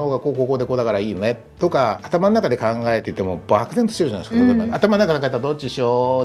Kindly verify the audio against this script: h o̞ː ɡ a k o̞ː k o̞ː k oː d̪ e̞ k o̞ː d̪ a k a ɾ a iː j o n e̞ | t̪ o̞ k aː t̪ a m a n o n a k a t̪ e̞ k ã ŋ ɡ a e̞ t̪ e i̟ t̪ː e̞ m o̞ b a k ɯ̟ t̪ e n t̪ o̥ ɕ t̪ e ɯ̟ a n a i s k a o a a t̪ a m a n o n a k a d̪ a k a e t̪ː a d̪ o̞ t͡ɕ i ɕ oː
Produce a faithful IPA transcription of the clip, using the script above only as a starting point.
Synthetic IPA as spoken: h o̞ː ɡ a k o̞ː k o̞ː k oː d̪ e̞ k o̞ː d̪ a k a ɾ a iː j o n e̞ | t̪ o̞ k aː t̪ a m a n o n a k a d̪ e̞ k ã ŋ ɡ a e̞ t̪ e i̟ t̪ː e̞ m o̞ b a k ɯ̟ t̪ e n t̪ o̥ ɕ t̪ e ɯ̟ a n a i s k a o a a t̪ a m a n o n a k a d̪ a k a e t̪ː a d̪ o̞ t͡ɕ i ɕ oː